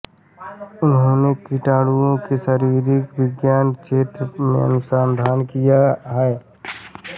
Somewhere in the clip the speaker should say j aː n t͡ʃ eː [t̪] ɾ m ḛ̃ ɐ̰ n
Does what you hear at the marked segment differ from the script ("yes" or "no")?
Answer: no